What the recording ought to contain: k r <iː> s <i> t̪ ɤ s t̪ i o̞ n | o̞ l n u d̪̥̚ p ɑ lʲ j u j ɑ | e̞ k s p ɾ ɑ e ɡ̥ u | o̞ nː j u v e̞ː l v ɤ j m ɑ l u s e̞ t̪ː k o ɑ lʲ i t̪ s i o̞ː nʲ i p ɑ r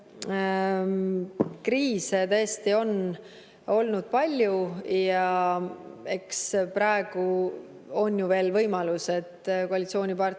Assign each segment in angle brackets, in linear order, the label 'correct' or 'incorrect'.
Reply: correct, incorrect

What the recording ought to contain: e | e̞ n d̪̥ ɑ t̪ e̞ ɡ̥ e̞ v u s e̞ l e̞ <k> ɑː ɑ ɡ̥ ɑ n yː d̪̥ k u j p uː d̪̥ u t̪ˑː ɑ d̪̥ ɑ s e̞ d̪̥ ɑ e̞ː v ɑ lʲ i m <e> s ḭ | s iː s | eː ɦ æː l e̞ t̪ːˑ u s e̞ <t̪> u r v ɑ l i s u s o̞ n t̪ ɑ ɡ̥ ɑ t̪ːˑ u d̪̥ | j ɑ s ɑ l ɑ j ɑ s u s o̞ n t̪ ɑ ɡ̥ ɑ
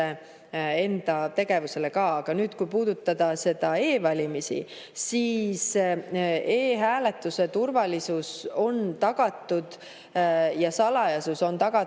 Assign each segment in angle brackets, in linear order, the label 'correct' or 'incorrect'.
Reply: correct, incorrect, correct

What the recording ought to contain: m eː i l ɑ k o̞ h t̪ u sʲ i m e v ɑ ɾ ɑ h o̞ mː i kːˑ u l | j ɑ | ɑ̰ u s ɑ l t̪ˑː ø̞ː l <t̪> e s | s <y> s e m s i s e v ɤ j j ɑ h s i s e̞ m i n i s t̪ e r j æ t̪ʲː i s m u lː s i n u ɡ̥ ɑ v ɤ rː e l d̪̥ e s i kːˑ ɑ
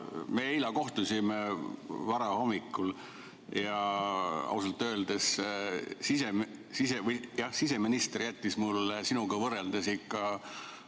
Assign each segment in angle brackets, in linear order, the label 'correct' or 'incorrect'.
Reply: incorrect, incorrect

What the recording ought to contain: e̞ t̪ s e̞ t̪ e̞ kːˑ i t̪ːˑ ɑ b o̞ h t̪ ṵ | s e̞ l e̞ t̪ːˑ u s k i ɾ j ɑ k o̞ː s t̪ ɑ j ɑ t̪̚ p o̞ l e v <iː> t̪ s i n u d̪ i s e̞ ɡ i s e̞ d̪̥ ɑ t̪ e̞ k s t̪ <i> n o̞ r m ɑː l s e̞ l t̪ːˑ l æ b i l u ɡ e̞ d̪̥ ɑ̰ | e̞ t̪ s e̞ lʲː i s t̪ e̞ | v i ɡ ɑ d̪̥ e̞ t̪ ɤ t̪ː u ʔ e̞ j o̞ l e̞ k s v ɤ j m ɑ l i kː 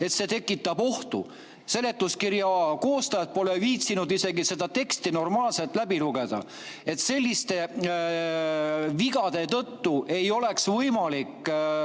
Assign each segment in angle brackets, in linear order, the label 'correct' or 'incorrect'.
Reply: correct, correct

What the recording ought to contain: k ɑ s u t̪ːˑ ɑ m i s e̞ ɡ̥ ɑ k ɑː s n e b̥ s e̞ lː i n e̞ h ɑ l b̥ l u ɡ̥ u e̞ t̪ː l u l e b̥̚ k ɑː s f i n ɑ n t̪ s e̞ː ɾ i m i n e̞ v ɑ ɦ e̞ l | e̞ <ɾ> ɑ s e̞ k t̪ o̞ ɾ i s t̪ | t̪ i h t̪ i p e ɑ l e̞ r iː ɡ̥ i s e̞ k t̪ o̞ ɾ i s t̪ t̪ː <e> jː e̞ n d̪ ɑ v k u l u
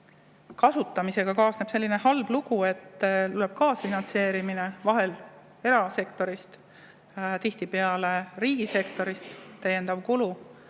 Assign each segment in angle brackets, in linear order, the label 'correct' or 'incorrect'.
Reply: correct, incorrect

